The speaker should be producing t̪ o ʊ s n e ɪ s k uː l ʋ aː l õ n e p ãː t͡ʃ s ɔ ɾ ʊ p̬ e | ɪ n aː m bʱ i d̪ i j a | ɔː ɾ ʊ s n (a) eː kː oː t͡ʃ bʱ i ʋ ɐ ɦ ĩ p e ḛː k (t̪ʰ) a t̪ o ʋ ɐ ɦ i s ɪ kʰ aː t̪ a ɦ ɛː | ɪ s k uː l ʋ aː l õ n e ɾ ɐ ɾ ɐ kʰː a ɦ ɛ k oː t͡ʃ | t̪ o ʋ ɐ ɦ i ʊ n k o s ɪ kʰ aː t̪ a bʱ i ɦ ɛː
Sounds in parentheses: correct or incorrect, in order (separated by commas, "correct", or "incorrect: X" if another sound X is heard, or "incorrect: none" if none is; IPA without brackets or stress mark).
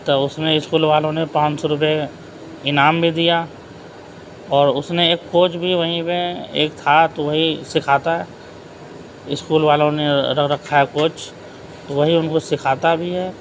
incorrect: e, correct